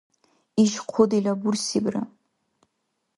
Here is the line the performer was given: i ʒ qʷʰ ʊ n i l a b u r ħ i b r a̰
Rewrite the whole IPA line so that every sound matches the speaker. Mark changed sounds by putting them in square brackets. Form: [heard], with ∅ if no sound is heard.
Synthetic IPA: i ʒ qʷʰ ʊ [d] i l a b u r [s] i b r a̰